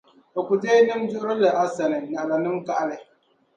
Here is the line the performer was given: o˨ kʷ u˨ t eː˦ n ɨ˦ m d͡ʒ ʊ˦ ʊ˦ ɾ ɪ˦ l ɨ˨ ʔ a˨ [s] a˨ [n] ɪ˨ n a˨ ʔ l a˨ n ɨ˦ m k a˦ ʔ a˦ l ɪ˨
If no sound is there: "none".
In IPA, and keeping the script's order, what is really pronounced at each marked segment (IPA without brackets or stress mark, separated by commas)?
s, n